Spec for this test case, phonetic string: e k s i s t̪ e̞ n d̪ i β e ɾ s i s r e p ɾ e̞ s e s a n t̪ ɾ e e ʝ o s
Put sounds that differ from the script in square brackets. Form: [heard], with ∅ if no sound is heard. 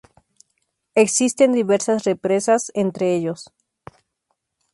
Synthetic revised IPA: e k s i s t̪ e̞ n d̪ i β e ɾ s [a] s r e p ɾ e̞ s [a] s [e] n t̪ ɾ e e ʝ o s